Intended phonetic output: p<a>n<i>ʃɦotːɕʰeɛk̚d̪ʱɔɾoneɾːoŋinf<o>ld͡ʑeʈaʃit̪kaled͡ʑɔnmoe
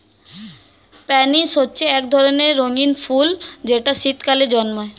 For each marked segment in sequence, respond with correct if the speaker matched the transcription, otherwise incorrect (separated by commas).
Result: incorrect, correct, incorrect